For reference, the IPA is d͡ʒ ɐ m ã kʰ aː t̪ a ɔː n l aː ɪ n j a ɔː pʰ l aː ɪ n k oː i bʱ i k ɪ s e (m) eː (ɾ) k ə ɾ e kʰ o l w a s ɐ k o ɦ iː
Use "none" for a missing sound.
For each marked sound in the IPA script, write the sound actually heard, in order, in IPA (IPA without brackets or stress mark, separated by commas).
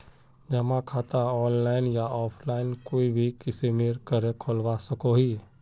m, ɾ